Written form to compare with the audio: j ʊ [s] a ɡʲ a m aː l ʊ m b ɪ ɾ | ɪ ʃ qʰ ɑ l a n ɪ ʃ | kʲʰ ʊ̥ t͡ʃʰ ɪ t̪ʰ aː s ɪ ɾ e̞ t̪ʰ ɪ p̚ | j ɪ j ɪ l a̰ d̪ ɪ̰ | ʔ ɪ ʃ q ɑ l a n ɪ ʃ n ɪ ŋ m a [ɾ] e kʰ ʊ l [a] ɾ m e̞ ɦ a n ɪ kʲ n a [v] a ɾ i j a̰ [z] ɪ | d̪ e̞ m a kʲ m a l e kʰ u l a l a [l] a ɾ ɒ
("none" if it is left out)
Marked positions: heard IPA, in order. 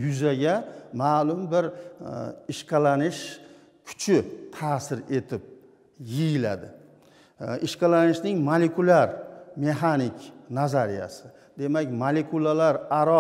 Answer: z, l, a, z, s, ɾ

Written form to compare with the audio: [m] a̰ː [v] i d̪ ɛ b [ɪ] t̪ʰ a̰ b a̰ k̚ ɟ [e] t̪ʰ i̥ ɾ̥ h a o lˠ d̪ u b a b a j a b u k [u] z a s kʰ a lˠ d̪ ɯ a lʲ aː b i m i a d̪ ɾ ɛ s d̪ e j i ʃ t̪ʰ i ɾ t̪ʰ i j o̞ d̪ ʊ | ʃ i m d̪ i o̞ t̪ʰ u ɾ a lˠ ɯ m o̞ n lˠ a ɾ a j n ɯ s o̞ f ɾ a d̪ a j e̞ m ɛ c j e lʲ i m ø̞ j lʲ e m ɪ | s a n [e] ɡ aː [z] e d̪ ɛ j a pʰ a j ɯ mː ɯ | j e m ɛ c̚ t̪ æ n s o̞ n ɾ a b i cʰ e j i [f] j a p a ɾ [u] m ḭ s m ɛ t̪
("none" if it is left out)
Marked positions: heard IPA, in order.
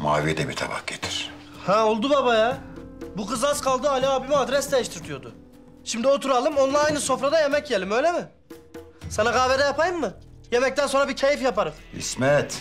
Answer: m, v, i, e, ɯ, a, v, f, ɯ

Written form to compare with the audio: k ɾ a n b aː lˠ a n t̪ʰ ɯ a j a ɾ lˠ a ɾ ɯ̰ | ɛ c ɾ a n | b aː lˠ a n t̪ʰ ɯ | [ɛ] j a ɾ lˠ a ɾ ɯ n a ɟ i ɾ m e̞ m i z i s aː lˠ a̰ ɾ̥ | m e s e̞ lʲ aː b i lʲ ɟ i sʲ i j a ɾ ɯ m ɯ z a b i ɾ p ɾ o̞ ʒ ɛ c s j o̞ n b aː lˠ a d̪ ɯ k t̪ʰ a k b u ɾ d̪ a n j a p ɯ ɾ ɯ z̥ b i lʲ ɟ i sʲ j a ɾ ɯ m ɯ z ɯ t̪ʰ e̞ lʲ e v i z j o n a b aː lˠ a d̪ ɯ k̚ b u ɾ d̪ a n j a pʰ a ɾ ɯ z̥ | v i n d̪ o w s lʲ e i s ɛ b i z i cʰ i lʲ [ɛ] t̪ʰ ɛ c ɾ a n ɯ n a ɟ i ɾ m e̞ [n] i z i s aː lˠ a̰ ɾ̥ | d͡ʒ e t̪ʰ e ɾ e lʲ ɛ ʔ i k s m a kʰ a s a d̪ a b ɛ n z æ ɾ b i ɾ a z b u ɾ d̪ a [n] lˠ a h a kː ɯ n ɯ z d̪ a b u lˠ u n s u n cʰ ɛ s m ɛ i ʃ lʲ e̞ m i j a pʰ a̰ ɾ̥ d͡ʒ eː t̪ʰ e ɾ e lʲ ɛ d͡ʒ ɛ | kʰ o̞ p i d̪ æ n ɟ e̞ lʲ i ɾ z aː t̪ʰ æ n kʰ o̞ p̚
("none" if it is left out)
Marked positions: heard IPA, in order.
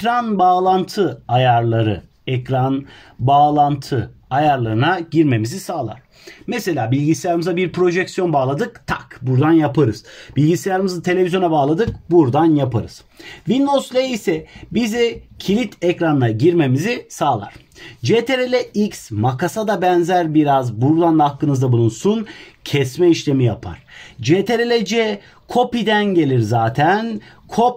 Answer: a, i, m, n

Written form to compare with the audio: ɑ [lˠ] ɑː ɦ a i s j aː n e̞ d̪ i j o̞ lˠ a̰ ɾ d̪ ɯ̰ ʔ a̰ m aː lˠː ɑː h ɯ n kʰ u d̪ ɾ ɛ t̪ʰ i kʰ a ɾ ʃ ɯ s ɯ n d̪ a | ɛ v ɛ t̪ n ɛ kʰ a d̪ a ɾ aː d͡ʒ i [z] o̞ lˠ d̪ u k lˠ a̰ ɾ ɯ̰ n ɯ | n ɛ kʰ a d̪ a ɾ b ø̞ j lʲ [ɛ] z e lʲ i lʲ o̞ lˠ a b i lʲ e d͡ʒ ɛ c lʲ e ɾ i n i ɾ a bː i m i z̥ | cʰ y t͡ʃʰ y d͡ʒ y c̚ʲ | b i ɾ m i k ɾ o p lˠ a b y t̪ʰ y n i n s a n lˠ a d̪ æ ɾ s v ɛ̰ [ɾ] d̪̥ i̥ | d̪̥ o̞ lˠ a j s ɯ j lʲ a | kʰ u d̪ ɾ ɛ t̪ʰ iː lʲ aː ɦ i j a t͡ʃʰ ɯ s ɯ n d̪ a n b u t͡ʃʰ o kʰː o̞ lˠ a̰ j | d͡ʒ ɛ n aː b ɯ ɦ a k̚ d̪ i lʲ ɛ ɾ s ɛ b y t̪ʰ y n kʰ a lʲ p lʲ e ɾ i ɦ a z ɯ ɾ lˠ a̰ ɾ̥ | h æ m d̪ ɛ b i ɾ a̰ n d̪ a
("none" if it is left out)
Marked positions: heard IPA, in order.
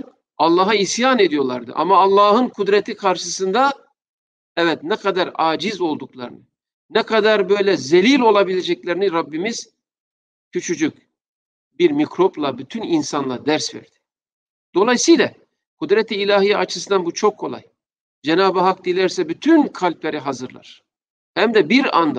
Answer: lˠː, z, ɛ, ɾ

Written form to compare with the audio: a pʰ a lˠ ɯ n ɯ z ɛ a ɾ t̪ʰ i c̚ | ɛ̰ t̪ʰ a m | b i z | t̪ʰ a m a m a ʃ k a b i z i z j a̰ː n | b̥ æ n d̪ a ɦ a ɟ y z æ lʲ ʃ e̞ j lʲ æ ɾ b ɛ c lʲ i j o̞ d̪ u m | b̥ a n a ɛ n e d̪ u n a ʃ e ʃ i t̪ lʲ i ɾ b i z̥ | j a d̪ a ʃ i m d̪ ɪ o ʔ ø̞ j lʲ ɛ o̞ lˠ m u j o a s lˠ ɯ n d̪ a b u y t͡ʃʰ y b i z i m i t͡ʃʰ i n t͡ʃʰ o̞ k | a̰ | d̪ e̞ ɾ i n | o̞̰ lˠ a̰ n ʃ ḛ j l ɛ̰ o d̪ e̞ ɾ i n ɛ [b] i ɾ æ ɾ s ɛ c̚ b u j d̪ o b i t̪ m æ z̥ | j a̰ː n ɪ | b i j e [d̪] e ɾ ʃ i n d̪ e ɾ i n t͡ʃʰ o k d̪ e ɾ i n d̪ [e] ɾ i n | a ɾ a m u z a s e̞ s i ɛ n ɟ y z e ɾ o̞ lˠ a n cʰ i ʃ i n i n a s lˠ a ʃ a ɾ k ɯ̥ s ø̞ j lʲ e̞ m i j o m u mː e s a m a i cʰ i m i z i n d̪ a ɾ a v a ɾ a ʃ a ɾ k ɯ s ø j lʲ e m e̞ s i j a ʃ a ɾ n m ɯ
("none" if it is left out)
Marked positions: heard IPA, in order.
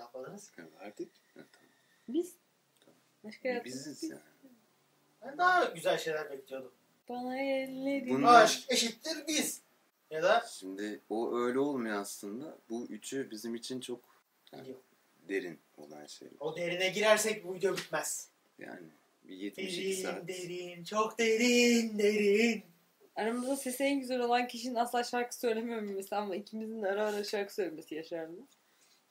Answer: ɟ, t̪, e

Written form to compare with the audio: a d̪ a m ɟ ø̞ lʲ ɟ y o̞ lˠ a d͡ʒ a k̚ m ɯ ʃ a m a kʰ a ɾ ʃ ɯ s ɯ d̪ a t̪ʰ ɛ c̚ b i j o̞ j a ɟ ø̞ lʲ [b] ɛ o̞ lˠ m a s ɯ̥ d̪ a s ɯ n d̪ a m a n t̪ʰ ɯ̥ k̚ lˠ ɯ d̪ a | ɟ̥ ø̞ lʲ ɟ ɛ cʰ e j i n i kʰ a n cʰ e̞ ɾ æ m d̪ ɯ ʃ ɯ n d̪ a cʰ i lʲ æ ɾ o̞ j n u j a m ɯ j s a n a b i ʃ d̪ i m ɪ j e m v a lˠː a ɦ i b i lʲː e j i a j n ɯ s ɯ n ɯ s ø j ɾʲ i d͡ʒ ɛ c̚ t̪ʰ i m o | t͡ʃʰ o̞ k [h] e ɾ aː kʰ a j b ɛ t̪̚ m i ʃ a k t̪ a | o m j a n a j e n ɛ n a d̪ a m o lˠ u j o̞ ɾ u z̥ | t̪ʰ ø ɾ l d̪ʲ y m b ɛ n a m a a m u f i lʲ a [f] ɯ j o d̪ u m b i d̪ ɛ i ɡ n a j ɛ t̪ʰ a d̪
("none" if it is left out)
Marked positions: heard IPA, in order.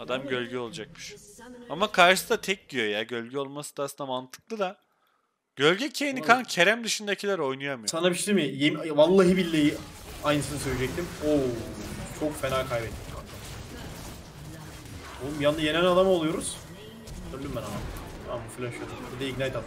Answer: ɟ, f, ʃ

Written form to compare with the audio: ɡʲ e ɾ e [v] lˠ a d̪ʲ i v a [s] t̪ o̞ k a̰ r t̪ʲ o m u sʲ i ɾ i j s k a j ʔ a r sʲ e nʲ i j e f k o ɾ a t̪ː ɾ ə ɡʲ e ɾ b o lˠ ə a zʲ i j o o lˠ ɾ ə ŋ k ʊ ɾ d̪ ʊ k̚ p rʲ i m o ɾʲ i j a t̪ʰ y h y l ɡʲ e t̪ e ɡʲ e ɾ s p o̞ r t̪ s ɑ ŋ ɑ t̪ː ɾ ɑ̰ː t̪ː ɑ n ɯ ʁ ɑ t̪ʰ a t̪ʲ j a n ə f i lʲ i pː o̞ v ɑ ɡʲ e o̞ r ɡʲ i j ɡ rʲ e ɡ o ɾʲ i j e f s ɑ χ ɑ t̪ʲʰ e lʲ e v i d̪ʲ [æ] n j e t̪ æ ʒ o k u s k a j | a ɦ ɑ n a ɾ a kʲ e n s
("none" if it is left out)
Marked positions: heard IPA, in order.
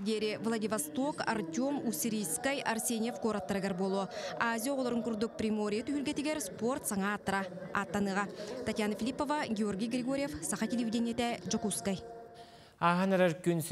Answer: v, s, e

